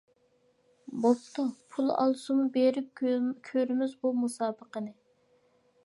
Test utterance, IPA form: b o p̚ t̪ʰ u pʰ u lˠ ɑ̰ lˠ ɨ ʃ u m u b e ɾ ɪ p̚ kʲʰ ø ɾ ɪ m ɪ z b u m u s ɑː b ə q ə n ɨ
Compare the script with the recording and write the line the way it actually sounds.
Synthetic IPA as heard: b o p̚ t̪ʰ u pʰ u lˠ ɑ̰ lˠ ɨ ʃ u m u b e ɾ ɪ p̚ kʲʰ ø ɾ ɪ m ɪ z b u m u s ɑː b ə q ə n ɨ

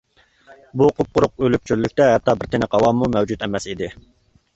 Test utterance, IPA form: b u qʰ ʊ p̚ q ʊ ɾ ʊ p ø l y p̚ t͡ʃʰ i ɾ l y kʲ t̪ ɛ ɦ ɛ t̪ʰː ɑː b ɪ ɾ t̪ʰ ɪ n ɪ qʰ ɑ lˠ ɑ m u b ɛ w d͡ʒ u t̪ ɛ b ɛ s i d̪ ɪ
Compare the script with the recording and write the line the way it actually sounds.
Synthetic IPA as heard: b u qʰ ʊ p̚ q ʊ ɾ ʊ q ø l y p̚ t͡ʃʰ y ɾ l y kʲ t̪ ɛ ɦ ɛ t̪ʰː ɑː b ɪ ɾ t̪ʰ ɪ n ɪ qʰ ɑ lˠ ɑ m u m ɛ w d͡ʒ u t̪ ɛ m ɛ s i d̪ ɪ

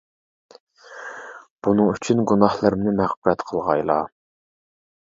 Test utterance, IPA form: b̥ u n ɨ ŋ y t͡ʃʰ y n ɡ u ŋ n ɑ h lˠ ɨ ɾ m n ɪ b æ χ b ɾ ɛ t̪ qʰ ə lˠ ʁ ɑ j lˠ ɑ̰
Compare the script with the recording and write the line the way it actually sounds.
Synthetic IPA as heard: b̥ u n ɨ ŋ y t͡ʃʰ y n ɡ u n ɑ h lˠ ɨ ɾ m n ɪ m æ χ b ɾ ɛ t̪ qʰ ə lˠ ʁ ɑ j lˠ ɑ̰

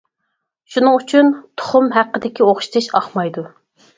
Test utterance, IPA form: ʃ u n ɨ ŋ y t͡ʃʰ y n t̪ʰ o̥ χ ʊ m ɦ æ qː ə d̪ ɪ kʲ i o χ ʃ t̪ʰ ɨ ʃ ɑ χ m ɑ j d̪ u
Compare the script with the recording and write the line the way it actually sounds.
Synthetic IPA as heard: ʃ u n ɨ ŋ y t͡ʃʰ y n t̪ʰ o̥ χ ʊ m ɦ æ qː ə d̪ ɪ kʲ i o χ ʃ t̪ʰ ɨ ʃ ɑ χ m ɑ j d̪ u

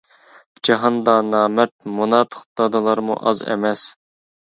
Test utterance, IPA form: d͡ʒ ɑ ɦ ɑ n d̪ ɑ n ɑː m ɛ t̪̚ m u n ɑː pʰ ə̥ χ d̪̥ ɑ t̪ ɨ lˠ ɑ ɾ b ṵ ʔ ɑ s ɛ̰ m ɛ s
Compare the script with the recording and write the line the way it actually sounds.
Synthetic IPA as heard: d͡ʒ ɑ ɦ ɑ n d̪ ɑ n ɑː m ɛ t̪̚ m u n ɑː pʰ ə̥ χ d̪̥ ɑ d̪ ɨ lˠ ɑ ɾ m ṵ ʔ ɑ z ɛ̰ m ɛ s

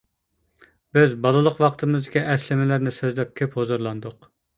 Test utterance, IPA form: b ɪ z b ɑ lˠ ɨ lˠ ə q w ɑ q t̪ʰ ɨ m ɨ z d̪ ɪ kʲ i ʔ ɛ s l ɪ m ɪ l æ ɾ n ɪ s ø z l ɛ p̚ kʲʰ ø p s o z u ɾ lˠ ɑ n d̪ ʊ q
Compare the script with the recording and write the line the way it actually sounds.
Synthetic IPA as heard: b ɪ z b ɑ lˠ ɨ lˠ ə q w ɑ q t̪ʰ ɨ m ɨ z d̪ ɪ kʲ i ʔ ɛ s l ɪ m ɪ l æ ɾ n ɪ s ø z l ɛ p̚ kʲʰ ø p h o z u ɾ lˠ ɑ n d̪ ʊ q

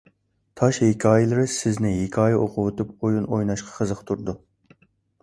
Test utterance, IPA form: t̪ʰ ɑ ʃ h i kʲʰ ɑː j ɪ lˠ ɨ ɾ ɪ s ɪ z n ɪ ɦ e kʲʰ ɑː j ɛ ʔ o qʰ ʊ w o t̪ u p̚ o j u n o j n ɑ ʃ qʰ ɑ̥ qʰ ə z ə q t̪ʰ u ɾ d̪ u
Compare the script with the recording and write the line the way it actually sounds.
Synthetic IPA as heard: t̪ʰ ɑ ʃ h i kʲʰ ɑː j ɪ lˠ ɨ ɾ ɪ s ɪ z n ɪ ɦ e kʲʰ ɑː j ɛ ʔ o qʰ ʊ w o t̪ u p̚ o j u n o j n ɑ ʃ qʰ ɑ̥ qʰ ə z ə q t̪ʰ u ɾ d̪ u

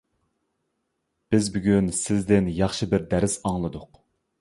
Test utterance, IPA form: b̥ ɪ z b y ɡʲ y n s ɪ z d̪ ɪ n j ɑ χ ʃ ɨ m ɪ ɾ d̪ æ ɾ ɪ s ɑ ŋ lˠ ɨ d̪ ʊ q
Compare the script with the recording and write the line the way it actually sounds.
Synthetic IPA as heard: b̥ ɪ z b y ɡʲ y n s ɪ z d̪ ɪ n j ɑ χ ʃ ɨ b ɪ ɾ d̪ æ ɾ ɪ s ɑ ŋ lˠ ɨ d̪ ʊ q

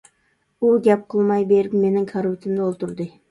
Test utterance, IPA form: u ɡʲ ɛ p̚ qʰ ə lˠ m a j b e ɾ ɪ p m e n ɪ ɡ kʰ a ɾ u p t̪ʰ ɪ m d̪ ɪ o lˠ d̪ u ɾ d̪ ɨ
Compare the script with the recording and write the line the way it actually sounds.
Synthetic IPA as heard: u ɡʲ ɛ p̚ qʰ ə lˠ m ɑ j b e ɾ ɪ p m e n ɪ ŋ kʰ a ɾ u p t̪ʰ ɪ m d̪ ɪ o lˠ t̪ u ɾ d̪ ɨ

